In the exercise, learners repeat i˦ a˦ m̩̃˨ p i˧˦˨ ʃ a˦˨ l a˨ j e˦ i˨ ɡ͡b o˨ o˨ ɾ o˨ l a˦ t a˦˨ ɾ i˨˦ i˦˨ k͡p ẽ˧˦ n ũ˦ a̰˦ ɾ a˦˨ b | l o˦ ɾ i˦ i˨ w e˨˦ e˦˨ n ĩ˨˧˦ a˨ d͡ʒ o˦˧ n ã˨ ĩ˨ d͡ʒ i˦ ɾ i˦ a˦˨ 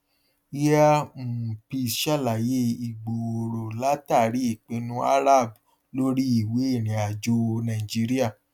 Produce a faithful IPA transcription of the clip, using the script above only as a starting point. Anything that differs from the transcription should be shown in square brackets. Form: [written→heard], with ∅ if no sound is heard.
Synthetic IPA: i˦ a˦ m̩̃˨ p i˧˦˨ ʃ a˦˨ l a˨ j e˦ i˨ ɡ͡b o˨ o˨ ɾ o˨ l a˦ t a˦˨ ɾ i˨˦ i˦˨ k͡p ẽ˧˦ n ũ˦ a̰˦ ɾ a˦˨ b | l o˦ ɾ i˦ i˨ w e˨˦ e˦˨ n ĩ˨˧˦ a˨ d͡ʒ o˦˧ n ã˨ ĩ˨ d͡ʒ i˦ ɾ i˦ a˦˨